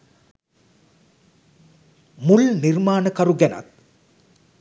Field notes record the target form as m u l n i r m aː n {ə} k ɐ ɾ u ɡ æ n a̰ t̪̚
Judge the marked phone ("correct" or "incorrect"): correct